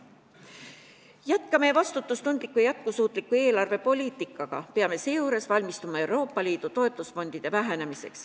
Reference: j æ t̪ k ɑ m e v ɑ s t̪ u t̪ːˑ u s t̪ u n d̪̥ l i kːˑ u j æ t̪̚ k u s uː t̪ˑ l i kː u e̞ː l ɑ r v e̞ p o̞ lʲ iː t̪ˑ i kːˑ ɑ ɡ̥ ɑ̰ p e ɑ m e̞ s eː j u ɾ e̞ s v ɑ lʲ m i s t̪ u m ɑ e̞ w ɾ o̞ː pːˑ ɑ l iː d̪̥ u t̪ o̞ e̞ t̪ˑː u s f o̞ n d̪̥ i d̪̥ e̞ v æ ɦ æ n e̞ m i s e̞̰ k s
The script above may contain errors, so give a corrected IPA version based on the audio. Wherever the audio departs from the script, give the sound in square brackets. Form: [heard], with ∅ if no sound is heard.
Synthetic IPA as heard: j æ t̪ k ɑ m e v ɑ s t̪ u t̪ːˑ u s t̪ u n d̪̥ l i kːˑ u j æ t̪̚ k u s uː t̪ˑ l i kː u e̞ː l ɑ r v e̞ p o̞ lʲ iː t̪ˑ i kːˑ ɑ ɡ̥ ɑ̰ p e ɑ m e̞ s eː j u ɾ e̞ s v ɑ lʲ m i s t̪ u m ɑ e̞ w ɾ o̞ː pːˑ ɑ l iː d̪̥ u t̪ o̞ e̞ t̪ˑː u s f o̞ n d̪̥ i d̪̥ e̞ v æ ɦ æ n e̞ m i s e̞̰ k s